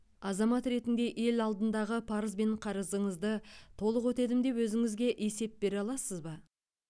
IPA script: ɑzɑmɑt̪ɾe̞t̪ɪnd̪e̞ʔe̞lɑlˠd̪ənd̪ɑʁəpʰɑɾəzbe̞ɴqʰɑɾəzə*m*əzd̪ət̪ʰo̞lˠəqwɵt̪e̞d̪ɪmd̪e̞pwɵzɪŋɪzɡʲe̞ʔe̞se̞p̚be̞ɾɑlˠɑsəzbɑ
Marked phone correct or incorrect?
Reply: incorrect